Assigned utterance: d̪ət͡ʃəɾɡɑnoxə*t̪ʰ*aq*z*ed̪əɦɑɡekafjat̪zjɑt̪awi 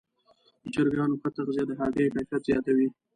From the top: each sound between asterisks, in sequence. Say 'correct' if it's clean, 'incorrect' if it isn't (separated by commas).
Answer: incorrect, correct